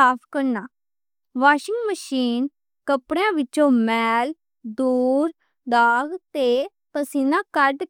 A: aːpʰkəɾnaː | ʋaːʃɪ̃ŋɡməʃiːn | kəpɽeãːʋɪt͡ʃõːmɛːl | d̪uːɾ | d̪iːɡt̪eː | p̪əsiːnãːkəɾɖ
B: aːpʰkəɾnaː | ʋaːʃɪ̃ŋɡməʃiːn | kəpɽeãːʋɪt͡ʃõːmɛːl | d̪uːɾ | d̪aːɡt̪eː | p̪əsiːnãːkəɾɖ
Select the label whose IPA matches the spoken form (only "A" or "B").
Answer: B